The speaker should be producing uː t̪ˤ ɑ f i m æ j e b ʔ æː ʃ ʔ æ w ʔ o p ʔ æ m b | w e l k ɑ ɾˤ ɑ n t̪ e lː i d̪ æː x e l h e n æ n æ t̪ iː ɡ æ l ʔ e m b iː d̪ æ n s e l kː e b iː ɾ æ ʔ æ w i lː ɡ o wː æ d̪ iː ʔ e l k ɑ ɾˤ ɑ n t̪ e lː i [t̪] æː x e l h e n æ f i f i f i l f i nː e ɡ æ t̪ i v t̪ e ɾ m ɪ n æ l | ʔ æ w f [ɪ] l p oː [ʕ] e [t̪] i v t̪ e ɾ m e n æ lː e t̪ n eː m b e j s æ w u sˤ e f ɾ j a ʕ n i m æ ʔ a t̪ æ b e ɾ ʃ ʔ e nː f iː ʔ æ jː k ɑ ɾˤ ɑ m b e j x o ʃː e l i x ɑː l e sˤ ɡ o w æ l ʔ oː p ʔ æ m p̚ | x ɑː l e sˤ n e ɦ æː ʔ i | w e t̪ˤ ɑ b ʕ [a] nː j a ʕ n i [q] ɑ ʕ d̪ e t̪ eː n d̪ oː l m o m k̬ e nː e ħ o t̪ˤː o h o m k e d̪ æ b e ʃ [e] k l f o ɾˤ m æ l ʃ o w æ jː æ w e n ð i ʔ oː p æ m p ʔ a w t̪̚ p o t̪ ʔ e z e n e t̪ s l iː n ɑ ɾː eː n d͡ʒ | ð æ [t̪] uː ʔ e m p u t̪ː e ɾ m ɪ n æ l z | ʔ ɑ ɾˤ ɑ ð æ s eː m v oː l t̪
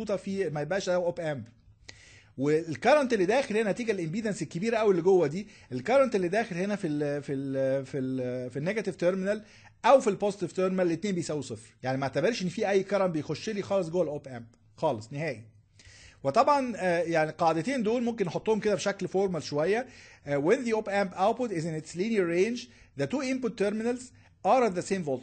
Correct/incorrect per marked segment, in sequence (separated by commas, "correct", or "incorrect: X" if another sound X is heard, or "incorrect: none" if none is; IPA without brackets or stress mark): incorrect: d̪, incorrect: i, incorrect: z, correct, incorrect: ɑ, correct, incorrect: æ, correct